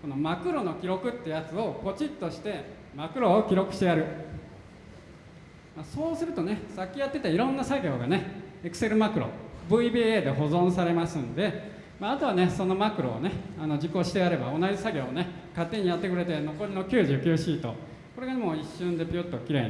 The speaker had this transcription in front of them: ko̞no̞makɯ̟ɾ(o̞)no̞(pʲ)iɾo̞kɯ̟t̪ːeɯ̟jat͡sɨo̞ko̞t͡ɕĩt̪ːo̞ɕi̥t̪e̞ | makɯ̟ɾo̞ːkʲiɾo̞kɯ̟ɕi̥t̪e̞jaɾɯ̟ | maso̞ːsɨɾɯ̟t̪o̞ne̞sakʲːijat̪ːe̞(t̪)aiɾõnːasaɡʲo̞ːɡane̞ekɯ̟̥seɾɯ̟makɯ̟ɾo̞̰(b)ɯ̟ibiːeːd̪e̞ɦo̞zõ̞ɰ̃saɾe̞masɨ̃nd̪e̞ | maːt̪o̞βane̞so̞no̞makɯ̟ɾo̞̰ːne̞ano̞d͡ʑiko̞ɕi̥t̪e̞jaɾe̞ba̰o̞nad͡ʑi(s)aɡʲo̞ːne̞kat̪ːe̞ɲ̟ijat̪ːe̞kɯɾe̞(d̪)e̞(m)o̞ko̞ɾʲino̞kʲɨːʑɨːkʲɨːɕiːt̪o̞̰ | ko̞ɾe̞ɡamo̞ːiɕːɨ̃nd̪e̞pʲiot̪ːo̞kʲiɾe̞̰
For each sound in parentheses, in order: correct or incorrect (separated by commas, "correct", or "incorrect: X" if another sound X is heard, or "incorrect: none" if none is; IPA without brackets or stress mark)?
correct, incorrect: kʲ, correct, correct, correct, incorrect: t̪, incorrect: n